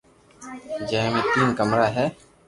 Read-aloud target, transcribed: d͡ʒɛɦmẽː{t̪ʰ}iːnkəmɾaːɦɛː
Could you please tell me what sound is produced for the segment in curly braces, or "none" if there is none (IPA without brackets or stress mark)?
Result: t̪